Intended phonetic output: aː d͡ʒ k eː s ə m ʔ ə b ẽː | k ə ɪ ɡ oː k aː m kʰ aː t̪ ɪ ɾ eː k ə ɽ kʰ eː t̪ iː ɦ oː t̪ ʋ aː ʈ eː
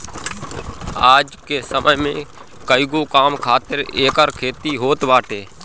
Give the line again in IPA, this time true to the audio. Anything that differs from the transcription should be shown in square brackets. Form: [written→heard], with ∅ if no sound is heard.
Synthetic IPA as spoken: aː d͡ʒ k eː s ə m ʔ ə [b→m] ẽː | k ə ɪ ɡ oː k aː m kʰ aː t̪ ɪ ɾ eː k ə [ɽ→ɾ] kʰ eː t̪ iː ɦ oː t̪ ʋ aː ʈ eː